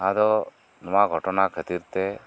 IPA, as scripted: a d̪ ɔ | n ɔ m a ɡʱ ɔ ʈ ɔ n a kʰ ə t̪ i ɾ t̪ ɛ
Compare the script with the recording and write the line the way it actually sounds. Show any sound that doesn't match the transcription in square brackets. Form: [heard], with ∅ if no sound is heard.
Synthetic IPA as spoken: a d̪ ɔ | n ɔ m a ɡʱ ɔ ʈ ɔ n a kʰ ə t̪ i ɾ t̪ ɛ